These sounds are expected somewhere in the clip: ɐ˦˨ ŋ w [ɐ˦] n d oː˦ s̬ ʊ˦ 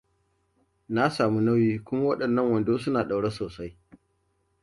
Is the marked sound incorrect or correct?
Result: incorrect